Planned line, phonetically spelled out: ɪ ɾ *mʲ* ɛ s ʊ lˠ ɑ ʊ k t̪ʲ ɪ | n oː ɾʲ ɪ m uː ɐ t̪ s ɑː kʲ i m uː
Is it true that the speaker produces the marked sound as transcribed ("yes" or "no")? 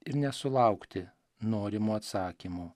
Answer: no